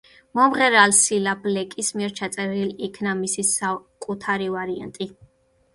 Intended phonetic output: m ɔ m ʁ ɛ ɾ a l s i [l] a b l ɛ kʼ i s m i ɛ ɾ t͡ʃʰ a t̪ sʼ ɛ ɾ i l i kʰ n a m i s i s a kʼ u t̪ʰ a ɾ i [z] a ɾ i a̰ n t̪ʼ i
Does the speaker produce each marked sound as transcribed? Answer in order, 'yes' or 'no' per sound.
yes, no

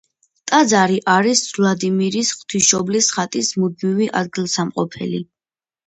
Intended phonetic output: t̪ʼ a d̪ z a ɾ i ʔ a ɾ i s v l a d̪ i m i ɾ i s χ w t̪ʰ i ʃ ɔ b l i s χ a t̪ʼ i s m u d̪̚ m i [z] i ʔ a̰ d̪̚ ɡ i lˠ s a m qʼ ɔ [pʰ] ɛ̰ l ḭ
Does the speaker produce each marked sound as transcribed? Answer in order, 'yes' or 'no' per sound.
no, yes

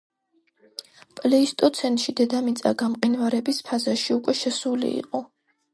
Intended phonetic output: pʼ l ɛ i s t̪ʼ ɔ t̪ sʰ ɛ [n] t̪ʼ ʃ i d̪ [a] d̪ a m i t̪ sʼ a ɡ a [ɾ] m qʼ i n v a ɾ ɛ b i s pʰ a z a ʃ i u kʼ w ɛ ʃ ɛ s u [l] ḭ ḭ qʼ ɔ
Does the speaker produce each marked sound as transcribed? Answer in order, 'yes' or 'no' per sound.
yes, no, no, yes

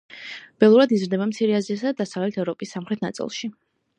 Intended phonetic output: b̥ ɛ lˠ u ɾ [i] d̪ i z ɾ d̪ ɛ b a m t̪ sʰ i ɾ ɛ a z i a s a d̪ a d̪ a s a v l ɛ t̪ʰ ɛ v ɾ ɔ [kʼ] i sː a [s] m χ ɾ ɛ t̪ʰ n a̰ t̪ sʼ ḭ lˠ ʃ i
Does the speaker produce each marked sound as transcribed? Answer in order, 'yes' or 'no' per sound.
no, no, no

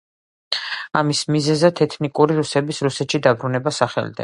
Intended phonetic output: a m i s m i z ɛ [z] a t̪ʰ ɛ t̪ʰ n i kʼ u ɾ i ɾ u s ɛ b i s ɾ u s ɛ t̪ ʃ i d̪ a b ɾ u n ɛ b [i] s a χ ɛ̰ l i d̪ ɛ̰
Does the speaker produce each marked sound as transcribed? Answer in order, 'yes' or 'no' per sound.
yes, no

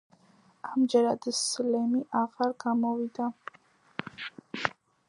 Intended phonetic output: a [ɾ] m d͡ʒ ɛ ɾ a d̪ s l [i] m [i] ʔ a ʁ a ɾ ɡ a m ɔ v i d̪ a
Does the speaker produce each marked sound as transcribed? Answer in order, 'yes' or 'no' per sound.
no, no, yes

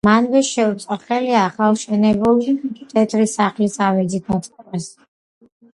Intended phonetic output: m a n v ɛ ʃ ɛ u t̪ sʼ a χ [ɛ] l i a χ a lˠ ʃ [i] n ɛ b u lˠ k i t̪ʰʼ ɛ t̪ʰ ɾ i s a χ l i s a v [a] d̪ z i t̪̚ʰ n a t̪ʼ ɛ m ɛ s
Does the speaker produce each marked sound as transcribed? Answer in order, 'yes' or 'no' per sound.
yes, no, no

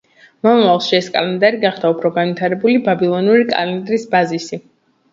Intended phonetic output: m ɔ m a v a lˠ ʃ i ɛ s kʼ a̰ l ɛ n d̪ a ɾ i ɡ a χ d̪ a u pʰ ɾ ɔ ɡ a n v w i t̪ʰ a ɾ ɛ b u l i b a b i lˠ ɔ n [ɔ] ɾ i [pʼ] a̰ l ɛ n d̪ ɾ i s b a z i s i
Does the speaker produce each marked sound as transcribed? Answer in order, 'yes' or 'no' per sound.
no, no

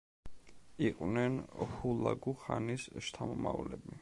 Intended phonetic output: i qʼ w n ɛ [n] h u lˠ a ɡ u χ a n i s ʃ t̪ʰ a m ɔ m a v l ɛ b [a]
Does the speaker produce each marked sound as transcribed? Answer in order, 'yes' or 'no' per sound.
yes, no

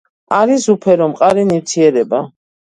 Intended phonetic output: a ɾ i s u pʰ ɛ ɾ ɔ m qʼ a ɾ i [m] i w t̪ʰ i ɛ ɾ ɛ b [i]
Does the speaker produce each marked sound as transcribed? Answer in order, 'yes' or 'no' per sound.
no, no

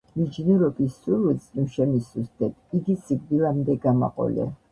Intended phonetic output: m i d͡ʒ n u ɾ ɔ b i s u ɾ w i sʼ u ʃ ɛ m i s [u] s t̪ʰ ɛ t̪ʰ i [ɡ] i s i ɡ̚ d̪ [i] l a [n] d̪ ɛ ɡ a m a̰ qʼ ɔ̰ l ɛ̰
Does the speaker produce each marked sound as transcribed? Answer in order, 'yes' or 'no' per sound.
yes, yes, yes, no

